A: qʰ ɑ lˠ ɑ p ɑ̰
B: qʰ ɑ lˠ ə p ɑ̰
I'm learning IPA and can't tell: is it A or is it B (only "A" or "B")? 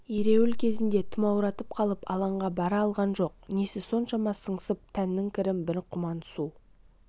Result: B